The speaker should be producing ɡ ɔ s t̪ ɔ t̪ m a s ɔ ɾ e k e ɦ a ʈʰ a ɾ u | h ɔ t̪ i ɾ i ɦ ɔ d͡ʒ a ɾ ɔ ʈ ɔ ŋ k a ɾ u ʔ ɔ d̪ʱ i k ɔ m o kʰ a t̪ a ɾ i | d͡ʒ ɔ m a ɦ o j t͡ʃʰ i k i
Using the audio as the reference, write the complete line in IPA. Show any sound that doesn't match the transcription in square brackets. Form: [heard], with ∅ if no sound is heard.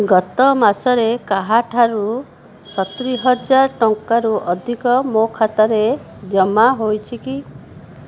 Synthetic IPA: ɡ ɔ [∅] t̪ ɔ [∅] m a s ɔ ɾ e k [a] ɦ a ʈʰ a ɾ u | [s] ɔ t̪ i ɾ i ɦ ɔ d͡ʒ a ɾ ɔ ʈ ɔ ŋ k a ɾ u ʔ ɔ d̪ʱ i k ɔ m o kʰ a t̪ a ɾ [e] | d͡ʒ ɔ m a ɦ o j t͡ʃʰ i k i